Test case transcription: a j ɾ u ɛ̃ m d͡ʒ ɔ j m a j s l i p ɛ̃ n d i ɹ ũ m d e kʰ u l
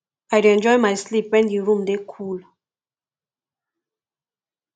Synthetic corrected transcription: a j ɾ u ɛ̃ n d͡ʒ ɔ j m a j s l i p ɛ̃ n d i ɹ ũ m d e kʰ u l